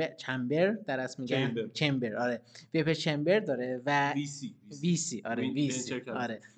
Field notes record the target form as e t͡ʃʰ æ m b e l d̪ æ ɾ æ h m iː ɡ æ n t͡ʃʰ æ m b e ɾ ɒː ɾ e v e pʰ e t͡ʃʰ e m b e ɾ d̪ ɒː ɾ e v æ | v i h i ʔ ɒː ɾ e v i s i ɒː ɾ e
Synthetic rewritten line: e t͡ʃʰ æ m b e ɾ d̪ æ ɾ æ s m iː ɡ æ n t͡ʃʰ e m b e ɾ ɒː ɾ e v e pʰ e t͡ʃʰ e m b e ɾ d̪ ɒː ɾ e v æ | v i s i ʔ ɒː ɾ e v i s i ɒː ɾ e